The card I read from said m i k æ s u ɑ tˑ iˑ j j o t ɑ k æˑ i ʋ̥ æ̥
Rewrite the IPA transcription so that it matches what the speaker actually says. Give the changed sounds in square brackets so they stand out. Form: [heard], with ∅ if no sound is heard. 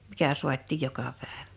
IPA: m i k æ s u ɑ tˑ iˑ j j o [k] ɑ [p] æˑ [e] ʋ̥ æ̥

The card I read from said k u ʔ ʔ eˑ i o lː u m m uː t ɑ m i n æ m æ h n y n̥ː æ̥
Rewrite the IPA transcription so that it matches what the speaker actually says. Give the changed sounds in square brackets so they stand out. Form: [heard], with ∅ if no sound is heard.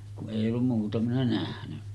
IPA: k u ʔ ʔ eˑ i o lː u m m uː t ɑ m i n æ [n] æ h n y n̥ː æ̥

